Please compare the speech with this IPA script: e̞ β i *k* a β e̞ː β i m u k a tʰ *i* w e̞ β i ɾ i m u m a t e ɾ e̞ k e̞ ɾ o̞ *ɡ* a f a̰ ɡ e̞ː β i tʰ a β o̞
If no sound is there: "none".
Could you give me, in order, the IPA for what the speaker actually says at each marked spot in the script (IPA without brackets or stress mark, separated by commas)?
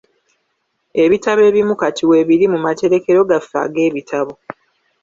t, i, ɡ